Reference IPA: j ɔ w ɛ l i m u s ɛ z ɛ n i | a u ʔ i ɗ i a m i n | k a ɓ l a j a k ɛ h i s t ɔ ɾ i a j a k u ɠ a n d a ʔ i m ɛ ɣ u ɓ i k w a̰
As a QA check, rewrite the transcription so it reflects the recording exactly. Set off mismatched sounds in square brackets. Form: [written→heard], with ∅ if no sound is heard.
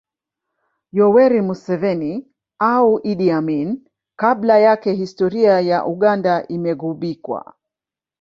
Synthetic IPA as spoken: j ɔ w ɛ [l→ɾ] i m u s ɛ [z→v] ɛ n i | a u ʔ i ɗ i a m i n | k a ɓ l a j a k ɛ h i s t ɔ ɾ i a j a [k→ʔ] u ɠ a n d a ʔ i m ɛ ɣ u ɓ i k w a̰

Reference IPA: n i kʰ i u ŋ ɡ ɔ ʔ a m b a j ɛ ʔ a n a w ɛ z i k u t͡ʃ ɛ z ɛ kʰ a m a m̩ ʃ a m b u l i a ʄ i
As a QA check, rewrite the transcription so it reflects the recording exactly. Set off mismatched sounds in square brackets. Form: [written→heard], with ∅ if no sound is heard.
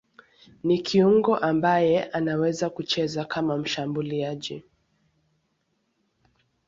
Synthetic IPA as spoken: n i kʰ i u ŋ ɡ ɔ ʔ a m b a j ɛ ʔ a n a w ɛ z [i→a] k u t͡ʃ ɛ z [ɛ→a] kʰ a m a m̩ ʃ a m b u l i a ʄ i

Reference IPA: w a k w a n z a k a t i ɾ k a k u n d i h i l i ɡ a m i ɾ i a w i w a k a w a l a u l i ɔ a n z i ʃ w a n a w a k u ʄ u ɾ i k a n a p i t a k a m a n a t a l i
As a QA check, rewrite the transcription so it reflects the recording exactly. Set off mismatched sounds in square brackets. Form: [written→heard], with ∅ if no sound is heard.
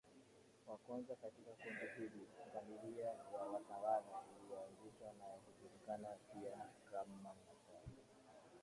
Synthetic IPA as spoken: w a k w a n z a k a t i [ɾ→∅] k a k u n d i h i l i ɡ a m i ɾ i a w [i→a] w a [k→t] a w a l a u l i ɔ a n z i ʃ w a n a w a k u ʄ u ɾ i k a n a p i [t→∅] a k a m a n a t a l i

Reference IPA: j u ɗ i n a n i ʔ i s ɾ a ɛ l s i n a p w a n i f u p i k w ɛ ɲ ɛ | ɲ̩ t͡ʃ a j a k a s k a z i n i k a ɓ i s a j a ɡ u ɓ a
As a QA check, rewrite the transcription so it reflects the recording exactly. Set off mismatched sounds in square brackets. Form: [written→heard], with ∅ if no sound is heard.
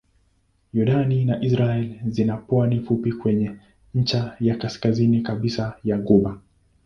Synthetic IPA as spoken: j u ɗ [i→a] n [a→i] n [i→a] ʔ i s ɾ a ɛ l [s→z] i n a p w a n i f u p i k w ɛ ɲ ɛ | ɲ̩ t͡ʃ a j a k a s k a z i n i k a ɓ i s a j a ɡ u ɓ a

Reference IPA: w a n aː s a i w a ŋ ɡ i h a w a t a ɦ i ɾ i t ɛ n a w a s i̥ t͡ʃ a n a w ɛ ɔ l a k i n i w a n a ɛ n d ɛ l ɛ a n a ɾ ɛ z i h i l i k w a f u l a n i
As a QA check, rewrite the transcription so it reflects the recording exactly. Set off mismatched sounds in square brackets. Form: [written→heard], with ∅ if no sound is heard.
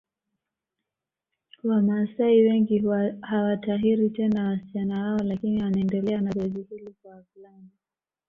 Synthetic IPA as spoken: w a [n→m] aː s a i w [a→ɛ] ŋ ɡ i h a w a t a ɦ i ɾ i t ɛ n a w a s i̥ t͡ʃ a n a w [ɛ→a] ɔ l a k i n i w a n a ɛ n d ɛ l ɛ a n a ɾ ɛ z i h i l i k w a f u l a n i

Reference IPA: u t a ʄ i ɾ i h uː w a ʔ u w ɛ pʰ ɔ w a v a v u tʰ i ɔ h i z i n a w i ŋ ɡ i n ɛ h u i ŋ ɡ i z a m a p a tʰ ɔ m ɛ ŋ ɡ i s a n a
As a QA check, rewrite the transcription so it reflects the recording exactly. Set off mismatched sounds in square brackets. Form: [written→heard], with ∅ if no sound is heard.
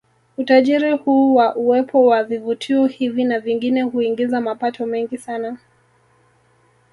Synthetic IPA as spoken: u t a ʄ i ɾ i h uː w a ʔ u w ɛ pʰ ɔ w a v [a→i] v u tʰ i ɔ h i [z→v] i n a [w→v] i ŋ ɡ i n ɛ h u i ŋ ɡ i z a m a p a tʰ ɔ m ɛ ŋ ɡ i s a n a

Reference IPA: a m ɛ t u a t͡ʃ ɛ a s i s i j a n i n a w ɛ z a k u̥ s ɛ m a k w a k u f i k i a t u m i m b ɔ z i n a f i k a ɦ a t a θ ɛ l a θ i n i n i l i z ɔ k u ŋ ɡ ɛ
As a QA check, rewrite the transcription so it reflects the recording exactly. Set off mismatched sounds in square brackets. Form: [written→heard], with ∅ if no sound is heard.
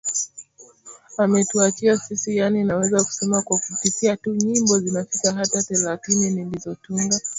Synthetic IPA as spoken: a m ɛ t u a t͡ʃ [ɛ→i] a s i s i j a n i n a w ɛ z a k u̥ s ɛ m a k w a k u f i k i a t u [m→ɲ] i m b ɔ z i n a f i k a ɦ a t a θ ɛ l a θ i n i n i l i z ɔ [k→t] u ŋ ɡ [ɛ→a]

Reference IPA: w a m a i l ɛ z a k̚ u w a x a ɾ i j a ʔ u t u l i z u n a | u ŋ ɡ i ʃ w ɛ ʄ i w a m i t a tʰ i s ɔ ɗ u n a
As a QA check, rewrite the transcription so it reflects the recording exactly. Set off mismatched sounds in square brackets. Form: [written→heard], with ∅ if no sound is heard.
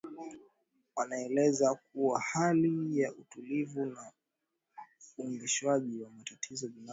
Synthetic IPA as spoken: w a [m→n] a [i→ɛ] l ɛ z a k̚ u w a [x→h] a [ɾ→l] i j a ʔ u t u l i [z→v] u n a | u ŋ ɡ i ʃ w [ɛ→a] ʄ i w a m [i→a] t a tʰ i [s→z] ɔ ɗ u n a

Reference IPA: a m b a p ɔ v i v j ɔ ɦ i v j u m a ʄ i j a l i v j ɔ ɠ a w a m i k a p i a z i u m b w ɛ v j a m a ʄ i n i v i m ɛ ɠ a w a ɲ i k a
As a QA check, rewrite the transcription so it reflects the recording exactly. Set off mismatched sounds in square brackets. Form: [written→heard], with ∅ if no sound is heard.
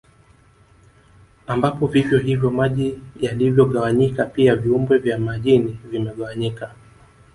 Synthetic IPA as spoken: a m b a p ɔ v i v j ɔ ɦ i v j [u→ɔ] m a ʄ i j a l i v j ɔ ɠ a w a [m→ɲ] i k a p i a [z→v] i u m b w ɛ v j a m a ʄ i n i v i m ɛ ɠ a w a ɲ i k a

